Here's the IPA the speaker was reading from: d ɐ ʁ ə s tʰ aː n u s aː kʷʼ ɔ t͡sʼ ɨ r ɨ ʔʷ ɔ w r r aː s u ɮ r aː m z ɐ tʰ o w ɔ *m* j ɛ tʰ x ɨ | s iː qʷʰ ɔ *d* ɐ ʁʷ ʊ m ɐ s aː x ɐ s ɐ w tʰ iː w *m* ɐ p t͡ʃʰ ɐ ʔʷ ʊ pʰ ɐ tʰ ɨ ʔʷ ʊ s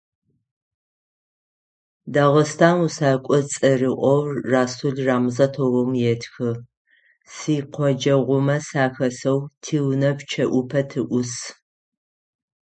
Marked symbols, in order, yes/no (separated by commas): yes, no, no